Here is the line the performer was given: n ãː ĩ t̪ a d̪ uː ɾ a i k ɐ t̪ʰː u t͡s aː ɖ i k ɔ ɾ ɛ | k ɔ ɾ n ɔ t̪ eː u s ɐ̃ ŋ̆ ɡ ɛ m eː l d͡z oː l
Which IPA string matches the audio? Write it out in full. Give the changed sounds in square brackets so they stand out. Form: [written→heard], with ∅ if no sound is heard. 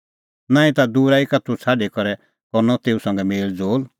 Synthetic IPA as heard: n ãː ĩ t̪ a d̪ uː ɾ a i k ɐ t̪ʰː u [t͡s→t͡sʰ] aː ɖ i k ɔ ɾ ɛ | k ɔ ɾ n ɔ t̪ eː u s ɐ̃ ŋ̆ ɡ ɛ m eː l d͡z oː l